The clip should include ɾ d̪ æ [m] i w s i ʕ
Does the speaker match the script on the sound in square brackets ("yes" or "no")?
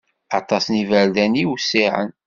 no